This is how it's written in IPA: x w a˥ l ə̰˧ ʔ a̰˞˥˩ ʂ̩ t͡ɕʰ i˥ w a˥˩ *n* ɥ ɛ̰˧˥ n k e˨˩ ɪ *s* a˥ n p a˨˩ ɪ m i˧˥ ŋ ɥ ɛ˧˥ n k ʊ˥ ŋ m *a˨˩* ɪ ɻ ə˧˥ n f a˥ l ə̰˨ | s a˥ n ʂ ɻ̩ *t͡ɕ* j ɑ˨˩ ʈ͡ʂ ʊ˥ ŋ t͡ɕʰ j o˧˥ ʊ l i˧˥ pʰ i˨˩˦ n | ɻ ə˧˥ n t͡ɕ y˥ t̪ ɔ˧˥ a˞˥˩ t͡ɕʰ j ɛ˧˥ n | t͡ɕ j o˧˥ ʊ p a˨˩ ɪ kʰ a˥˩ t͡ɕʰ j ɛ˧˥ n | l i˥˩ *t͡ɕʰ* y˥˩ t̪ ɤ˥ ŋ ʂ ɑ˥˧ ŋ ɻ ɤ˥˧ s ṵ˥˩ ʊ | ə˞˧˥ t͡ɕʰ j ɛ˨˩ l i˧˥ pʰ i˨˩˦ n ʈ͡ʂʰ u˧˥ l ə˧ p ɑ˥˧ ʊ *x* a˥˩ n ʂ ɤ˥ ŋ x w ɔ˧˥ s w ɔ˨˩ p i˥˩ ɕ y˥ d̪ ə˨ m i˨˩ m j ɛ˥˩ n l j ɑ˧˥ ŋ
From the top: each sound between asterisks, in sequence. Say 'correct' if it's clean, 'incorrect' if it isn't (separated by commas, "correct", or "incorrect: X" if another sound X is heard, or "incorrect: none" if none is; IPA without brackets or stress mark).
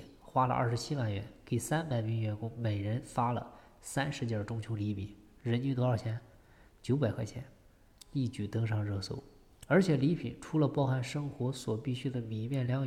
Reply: correct, correct, incorrect: e˨˩, correct, incorrect: t͡ɕ, correct